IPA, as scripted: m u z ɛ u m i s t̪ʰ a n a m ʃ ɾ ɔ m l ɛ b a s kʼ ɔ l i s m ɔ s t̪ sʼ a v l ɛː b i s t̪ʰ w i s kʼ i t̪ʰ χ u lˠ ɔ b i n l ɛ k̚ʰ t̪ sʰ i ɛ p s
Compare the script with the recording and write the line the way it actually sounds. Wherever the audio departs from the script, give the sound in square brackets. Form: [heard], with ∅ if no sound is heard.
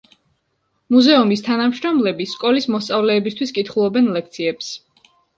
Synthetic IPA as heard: m u z ɛ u m i s t̪ʰ a n a m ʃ ɾ ɔ m l ɛ b [i] s kʼ ɔ l i s m ɔ s t̪ sʼ a v l ɛː b i s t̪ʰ w i s kʼ i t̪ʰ χ u lˠ ɔ b [ɛ] n l ɛ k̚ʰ t̪ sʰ i ɛ p s